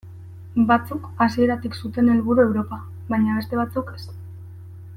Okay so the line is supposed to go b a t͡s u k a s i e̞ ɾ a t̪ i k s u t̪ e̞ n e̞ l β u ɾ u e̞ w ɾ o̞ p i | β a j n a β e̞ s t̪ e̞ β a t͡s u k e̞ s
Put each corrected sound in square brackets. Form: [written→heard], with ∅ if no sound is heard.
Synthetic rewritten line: b a t͡s u k a s i e̞ ɾ a t̪ i k s u t̪ e̞ n e̞ l β u ɾ u e̞ w ɾ o̞ p [i→a] | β a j [n→ɲ] a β e̞ s t̪ e̞ β a t͡s u k e̞ s